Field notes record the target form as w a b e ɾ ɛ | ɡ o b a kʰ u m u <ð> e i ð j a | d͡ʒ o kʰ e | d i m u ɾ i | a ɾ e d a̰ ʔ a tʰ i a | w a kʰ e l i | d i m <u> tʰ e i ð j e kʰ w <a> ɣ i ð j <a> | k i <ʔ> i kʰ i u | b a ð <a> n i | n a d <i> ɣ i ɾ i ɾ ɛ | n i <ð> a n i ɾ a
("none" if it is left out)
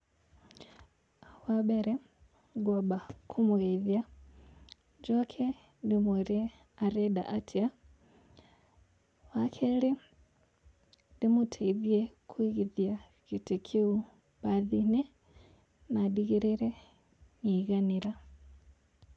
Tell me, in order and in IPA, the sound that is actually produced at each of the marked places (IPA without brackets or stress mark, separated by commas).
ɣ, u, i, a, t, i, i, ɣ